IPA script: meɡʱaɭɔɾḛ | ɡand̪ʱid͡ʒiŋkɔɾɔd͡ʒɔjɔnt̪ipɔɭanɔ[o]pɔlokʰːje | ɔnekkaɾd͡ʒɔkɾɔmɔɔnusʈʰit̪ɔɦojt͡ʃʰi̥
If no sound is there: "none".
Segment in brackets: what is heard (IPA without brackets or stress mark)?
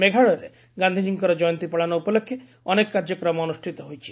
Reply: u